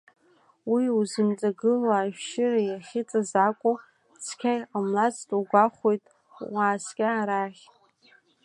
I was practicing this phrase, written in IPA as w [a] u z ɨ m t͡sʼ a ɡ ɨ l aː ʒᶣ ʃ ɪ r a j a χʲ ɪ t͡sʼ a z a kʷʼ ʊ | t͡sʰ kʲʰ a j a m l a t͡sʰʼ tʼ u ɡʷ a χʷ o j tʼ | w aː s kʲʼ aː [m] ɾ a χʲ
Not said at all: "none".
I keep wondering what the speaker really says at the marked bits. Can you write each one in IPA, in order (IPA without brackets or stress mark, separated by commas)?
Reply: i, none